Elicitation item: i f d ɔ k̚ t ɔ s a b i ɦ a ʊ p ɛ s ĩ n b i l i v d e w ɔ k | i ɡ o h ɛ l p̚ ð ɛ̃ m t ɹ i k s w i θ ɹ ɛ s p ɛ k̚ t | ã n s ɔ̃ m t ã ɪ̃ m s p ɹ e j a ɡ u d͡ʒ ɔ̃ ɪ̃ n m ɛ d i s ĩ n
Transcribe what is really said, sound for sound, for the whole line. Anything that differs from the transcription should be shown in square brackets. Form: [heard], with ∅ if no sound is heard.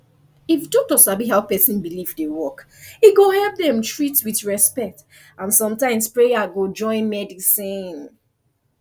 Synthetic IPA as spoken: i f d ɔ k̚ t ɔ s a b i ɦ a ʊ p ɛ s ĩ n b i l i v d e w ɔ k | i ɡ o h ɛ l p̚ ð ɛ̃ m t ɹ i [t] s w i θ ɹ ɛ s p ɛ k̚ t | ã n s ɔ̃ m t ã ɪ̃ m s p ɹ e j a ɡ [o] d͡ʒ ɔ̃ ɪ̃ n m ɛ d i s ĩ n

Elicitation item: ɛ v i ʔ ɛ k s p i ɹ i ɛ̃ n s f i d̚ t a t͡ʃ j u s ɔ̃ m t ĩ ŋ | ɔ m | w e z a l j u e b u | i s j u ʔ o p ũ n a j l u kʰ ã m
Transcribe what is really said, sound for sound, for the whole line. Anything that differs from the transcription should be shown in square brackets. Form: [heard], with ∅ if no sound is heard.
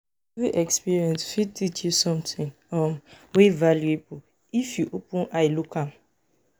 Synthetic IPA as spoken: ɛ v i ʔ ɛ k s p i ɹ i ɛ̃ n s f i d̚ t [i] t͡ʃ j u s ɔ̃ m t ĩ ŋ | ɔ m | w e [v] a l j u e b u | i [f] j u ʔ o p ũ n a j l u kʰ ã m

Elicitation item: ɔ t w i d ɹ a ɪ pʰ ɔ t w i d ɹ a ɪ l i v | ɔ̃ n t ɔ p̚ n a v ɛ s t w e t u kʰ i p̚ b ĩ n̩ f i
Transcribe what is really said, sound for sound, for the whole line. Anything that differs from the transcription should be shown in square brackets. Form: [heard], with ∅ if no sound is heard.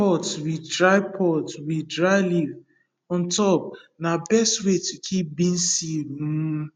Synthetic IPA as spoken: ɔ t w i d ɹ a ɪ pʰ ɔ t w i d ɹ a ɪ l i v | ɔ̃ n t ɔ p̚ n a [b] ɛ s t w e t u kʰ i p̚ b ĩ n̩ [s] i

